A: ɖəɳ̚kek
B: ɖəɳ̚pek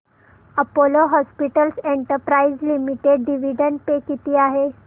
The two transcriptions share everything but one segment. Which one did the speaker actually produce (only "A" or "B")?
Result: B